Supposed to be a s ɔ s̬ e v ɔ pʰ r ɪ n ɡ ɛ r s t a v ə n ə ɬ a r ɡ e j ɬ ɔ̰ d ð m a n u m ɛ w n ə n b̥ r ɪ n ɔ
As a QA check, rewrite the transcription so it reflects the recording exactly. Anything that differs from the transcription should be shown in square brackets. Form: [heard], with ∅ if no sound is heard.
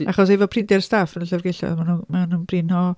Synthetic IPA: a [χ] ɔ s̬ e v ɔ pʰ r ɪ n [d] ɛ r s t a [f] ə n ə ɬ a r ɡ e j ɬ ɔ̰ [∅] ð m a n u m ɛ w n ə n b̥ r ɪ n ɔ